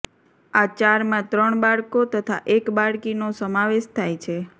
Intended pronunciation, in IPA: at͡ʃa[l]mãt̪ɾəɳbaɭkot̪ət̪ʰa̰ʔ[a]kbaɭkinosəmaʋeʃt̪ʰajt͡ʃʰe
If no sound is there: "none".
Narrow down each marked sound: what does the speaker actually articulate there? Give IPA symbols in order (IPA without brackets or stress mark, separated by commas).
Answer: ɾ, e